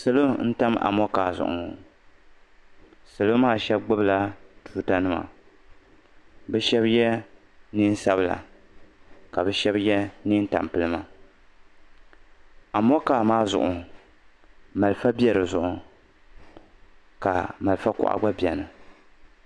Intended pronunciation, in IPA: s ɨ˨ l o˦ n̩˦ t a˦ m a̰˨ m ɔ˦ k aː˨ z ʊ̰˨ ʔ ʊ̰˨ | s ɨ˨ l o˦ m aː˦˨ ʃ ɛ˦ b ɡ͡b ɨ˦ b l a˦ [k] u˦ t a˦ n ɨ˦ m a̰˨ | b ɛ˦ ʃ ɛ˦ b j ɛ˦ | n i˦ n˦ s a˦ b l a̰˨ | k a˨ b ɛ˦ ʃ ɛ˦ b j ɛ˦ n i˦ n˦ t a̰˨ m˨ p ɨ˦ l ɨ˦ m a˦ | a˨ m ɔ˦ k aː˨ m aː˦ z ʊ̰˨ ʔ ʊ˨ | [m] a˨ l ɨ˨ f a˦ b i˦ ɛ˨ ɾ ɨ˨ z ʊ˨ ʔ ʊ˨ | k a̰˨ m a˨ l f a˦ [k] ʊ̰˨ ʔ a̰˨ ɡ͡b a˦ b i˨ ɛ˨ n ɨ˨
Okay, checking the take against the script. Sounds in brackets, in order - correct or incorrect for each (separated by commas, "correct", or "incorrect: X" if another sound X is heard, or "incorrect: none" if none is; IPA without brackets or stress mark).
incorrect: t, correct, correct